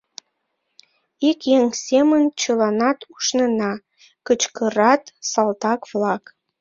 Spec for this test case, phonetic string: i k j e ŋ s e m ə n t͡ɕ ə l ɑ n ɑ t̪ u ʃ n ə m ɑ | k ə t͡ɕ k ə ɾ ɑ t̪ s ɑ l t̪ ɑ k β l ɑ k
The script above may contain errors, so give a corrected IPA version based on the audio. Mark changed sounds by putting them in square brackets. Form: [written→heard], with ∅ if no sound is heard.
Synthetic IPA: i k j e ŋ s e m ə n t͡ɕ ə l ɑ n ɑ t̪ u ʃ n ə [m→n] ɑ | k ə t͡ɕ k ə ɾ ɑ t̪ s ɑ l t̪ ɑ k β l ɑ k